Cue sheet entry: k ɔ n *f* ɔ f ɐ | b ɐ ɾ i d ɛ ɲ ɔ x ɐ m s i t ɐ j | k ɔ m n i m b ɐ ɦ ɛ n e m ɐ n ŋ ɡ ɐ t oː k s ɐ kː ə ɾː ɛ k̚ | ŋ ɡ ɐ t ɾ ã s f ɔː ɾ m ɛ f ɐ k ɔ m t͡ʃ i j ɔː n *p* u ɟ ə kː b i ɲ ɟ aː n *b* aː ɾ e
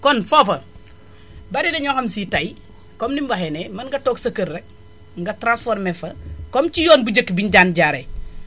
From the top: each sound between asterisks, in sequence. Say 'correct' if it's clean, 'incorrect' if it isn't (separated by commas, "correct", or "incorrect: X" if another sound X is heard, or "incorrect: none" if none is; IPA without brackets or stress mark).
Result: correct, incorrect: b, incorrect: ɟ